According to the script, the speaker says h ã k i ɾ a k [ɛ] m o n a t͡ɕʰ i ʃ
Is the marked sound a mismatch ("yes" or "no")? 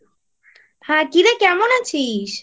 no